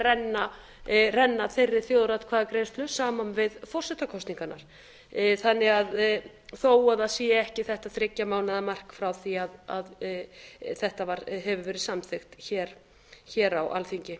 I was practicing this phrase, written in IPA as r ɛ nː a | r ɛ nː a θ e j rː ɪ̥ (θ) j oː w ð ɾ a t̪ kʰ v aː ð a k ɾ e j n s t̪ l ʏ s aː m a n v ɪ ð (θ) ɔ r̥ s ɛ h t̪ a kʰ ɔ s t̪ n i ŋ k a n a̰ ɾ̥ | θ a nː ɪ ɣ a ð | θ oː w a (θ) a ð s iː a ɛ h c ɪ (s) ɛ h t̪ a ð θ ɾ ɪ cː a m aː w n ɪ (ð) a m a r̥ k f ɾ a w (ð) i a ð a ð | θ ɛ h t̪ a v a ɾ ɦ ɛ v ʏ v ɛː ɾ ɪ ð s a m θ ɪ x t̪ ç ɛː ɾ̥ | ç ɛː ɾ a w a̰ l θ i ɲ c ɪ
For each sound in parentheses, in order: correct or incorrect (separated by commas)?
correct, incorrect, incorrect, incorrect, correct, incorrect